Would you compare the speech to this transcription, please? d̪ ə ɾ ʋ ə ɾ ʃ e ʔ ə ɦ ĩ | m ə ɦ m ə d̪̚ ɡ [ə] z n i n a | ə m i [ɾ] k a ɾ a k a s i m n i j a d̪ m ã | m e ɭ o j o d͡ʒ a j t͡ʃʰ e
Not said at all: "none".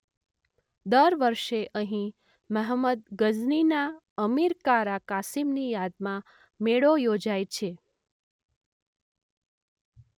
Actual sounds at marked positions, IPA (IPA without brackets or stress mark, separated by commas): ə, ɾ